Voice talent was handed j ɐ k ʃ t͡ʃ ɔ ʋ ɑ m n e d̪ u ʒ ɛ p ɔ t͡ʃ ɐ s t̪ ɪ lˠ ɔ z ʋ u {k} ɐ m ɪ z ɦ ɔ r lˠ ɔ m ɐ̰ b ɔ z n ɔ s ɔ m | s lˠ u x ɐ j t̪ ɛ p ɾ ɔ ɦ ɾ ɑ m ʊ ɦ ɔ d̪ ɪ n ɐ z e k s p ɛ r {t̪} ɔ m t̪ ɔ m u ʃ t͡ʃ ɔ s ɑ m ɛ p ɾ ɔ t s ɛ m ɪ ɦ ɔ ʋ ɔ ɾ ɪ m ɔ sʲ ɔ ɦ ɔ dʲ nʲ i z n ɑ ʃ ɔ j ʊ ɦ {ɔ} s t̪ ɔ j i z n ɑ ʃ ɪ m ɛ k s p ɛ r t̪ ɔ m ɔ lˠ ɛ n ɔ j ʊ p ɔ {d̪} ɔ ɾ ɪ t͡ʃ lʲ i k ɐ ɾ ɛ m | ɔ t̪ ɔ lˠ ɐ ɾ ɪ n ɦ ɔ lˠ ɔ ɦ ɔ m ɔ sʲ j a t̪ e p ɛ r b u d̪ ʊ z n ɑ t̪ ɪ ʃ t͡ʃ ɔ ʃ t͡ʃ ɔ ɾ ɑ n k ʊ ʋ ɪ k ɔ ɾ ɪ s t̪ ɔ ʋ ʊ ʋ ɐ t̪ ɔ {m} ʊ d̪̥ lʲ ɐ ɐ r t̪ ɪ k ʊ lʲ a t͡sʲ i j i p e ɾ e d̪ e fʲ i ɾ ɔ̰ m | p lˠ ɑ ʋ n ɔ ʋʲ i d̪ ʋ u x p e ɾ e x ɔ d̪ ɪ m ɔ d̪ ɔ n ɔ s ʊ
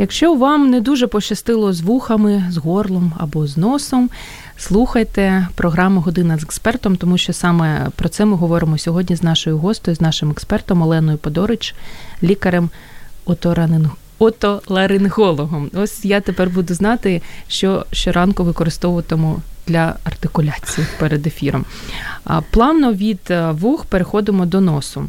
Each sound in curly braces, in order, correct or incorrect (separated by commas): incorrect, correct, correct, correct, correct